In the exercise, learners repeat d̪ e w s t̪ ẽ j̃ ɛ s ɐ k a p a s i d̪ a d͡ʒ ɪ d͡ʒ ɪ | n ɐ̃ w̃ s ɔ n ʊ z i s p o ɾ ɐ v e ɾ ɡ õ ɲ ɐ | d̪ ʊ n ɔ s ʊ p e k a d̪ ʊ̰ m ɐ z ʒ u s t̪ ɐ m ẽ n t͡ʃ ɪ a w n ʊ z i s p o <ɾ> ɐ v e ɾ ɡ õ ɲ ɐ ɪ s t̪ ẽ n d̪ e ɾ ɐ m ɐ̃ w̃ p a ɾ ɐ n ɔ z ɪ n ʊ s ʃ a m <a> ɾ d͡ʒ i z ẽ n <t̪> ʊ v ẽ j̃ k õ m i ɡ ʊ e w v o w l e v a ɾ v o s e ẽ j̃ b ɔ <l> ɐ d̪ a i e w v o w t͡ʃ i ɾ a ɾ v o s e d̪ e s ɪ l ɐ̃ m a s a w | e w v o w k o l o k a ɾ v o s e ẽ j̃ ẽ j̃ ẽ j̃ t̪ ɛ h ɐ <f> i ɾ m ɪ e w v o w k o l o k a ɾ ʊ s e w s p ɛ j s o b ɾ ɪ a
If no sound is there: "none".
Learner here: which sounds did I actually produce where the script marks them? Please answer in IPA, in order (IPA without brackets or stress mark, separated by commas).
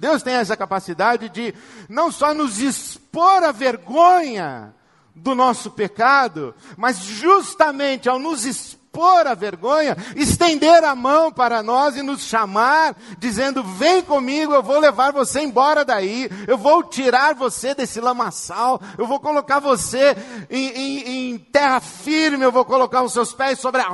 ɾ, a, d̪, ɾ, f